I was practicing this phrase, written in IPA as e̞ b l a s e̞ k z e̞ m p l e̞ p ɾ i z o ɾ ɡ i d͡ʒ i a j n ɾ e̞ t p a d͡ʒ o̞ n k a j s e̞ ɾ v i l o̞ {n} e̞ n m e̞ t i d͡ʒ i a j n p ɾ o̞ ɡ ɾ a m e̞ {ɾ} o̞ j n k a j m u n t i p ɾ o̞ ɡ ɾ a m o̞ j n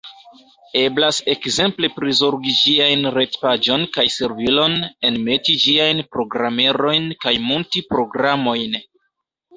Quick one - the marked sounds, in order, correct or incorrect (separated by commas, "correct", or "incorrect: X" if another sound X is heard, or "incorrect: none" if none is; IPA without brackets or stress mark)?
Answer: correct, correct